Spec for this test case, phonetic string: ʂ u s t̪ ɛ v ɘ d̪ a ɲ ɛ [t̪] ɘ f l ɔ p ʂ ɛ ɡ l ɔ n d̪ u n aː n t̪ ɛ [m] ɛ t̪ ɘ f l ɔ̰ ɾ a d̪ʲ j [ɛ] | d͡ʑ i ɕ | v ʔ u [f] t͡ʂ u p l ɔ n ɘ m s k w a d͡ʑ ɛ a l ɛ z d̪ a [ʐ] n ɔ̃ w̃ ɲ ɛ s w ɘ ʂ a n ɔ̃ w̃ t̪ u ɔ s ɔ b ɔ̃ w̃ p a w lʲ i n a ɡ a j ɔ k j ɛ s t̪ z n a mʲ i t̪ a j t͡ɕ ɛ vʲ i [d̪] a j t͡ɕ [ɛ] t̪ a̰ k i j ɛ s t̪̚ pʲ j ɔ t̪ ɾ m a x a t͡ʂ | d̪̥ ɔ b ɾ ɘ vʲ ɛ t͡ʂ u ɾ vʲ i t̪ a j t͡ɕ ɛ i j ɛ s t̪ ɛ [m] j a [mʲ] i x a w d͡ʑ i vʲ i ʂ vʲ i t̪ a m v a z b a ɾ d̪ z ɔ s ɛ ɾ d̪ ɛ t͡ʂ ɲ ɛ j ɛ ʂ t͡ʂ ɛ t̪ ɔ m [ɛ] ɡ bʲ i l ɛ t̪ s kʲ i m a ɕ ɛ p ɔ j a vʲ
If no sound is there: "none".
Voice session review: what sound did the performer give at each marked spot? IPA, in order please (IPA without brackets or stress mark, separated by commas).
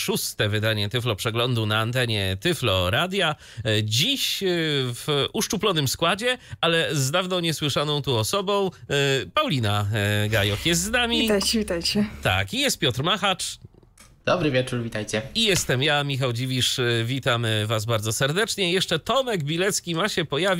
t̪, ɲ, a, ʂ, v, t̪, ɛ, m, mʲ, ɛ